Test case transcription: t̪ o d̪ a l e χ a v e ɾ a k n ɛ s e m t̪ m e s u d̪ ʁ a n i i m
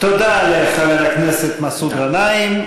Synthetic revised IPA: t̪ o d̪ a l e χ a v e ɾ a k n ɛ s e t̪ m a s u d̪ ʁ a n a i m